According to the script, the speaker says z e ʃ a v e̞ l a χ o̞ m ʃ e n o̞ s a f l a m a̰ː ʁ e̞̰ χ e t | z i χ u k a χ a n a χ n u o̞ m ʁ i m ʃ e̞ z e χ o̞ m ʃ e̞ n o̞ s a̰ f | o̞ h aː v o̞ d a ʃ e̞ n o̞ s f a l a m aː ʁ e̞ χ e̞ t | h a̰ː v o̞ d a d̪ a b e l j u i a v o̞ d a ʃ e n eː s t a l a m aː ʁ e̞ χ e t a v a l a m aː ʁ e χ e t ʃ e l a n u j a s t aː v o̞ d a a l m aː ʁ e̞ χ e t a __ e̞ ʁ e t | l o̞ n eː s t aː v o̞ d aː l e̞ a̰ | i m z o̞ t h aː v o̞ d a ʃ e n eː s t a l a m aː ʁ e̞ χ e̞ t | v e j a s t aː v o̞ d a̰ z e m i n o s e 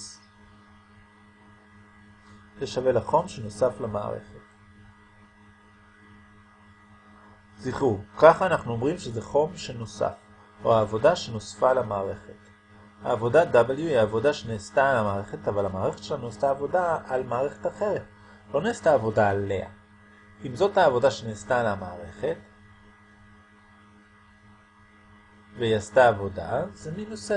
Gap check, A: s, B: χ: B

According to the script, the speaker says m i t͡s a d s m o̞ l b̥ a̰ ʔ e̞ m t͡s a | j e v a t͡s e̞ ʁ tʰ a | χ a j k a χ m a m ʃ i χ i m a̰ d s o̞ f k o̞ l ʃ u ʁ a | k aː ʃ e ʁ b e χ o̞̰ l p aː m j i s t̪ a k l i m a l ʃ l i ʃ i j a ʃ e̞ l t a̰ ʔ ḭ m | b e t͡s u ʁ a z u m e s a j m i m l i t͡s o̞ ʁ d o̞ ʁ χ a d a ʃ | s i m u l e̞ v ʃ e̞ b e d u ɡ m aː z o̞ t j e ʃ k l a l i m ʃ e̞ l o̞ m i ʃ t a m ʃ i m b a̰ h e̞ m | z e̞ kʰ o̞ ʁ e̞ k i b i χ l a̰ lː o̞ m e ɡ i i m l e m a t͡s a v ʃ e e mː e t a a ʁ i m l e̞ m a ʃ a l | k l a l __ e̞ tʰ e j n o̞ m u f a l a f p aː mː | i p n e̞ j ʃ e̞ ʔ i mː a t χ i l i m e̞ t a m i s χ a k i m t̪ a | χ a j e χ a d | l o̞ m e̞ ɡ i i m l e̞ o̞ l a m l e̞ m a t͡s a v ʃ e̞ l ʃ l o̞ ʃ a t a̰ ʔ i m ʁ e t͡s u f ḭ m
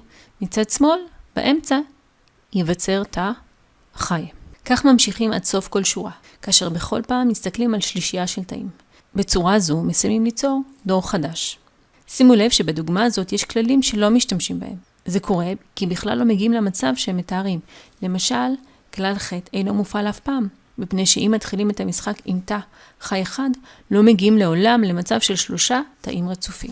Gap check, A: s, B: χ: B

